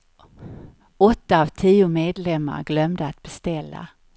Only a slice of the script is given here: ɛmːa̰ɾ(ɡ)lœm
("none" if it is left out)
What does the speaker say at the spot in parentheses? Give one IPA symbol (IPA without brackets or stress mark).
ɡ